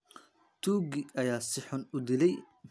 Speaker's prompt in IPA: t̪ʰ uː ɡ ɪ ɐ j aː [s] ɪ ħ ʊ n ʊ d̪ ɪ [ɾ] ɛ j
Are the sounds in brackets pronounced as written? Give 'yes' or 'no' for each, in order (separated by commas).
yes, no